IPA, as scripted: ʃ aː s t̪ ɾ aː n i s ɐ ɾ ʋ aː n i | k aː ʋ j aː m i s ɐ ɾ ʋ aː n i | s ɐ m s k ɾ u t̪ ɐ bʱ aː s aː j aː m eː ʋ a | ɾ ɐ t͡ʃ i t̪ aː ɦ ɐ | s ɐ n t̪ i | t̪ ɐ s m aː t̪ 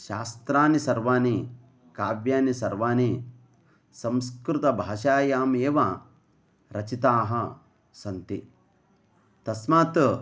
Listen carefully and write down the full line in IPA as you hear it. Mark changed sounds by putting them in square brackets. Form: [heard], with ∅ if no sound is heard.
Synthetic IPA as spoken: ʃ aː s t̪ ɾ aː n i s ɐ ɾ ʋ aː n i | k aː ʋ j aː [n] i s ɐ ɾ ʋ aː n i | s ɐ m s k ɾ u t̪ ɐ bʱ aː [ʃ] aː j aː m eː ʋ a | ɾ ɐ t͡ʃ i t̪ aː ɦ ɐ | s ɐ n t̪ i | t̪ ɐ s m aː t̪